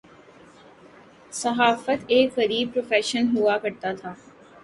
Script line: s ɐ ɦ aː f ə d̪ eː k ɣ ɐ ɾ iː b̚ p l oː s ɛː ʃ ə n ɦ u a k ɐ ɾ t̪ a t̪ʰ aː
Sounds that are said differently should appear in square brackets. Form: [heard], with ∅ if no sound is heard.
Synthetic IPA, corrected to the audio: s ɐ ɦ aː f ə [t̪] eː k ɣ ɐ ɾ iː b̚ p [ɾ] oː [f] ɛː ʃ ə n ɦ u a k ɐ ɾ t̪ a t̪ʰ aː